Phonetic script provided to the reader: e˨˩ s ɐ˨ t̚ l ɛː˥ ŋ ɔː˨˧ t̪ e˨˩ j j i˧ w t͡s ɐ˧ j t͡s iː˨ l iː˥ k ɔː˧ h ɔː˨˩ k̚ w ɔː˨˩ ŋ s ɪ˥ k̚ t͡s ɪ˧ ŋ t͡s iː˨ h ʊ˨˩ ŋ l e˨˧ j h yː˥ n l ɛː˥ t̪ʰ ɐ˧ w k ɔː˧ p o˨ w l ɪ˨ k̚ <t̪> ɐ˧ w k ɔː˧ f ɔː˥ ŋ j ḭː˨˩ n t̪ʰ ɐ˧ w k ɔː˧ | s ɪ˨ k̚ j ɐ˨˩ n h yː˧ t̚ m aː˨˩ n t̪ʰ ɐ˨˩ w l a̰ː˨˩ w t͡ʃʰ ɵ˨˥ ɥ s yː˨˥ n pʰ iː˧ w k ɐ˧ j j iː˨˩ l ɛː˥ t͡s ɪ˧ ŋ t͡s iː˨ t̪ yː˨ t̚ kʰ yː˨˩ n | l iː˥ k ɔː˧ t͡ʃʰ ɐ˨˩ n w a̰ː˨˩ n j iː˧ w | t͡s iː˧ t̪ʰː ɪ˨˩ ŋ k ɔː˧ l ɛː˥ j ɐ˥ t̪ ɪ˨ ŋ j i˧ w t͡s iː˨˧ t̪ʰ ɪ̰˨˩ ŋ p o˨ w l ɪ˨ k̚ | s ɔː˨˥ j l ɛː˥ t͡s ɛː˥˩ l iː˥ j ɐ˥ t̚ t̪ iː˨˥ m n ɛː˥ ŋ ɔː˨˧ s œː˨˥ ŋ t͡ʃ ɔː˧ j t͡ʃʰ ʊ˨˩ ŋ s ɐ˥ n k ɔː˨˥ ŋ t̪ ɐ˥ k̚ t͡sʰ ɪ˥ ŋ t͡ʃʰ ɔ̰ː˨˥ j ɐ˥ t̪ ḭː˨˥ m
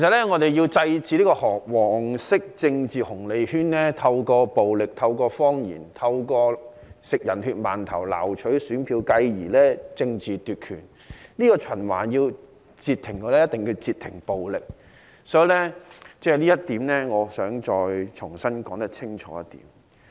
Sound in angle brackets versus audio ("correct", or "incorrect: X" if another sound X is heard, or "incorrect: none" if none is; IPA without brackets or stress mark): incorrect: t̪ʰ